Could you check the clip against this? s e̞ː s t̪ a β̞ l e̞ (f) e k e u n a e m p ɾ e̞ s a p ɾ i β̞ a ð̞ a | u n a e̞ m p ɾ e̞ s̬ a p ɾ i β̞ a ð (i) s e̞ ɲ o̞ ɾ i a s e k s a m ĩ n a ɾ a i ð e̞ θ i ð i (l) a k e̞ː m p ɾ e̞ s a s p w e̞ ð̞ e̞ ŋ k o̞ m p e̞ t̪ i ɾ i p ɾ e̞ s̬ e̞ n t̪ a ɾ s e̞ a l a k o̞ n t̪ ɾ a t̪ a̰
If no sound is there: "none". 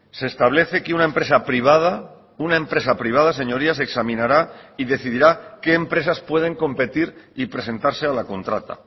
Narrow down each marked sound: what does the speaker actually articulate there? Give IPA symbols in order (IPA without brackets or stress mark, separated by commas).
θ, a, ɾ